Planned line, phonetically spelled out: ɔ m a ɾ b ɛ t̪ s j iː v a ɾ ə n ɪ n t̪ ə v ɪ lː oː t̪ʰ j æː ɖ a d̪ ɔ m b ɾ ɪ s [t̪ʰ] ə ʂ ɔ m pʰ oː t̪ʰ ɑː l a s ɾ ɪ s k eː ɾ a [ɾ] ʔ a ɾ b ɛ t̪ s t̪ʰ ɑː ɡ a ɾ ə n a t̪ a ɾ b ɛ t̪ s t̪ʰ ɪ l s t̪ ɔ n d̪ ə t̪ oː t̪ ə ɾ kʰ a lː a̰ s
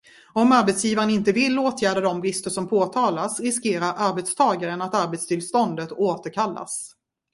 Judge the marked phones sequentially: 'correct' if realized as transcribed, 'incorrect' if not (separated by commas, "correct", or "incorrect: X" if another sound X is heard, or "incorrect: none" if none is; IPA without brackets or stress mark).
incorrect: t̪, correct